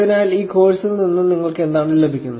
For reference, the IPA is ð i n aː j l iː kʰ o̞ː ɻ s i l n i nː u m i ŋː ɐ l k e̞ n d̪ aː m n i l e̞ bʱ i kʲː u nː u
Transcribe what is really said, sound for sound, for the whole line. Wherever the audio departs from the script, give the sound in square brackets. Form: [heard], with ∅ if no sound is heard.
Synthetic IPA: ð i n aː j l iː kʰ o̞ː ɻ s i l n i nː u [n] i ŋː ɐ [ɭ] k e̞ n d̪ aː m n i l e̞ bʱ i kʲː u nː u